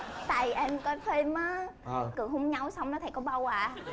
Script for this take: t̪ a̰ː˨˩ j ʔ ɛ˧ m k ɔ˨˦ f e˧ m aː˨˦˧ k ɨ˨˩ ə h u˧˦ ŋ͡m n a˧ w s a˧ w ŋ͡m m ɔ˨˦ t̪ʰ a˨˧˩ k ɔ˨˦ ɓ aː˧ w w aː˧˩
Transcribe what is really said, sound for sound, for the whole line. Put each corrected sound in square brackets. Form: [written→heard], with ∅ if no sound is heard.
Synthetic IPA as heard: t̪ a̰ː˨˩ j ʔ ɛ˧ m k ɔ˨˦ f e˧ m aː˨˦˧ k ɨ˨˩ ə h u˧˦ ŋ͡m [n→ɲ] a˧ w s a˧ w ŋ͡m [m→n] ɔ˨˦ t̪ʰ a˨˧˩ k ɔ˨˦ ɓ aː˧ w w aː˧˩